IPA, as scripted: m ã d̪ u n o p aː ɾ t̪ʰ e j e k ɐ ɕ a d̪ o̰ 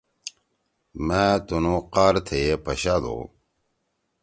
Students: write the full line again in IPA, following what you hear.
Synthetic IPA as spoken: m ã t̪ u n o q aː ɾ t̪ʰ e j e p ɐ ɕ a d̪ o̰